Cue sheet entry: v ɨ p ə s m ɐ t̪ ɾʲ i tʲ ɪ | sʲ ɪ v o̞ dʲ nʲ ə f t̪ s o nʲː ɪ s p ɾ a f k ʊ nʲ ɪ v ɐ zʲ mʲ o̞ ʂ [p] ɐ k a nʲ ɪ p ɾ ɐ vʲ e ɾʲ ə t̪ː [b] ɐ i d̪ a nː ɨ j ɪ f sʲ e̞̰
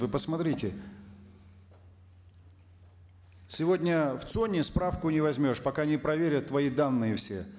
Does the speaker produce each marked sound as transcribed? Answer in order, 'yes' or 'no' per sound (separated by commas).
yes, no